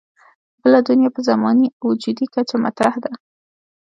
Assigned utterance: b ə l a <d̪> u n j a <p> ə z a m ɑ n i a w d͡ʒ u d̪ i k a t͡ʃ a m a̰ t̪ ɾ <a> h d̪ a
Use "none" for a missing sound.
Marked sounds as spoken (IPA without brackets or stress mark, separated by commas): d̪, p, a